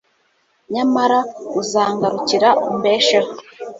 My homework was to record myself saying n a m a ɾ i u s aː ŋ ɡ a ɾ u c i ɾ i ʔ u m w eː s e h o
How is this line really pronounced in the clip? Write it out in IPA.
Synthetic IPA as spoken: ɲ a m a ɾ a u z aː ŋ ɡ a ɾ u c i ɾ a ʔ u m b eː ʃ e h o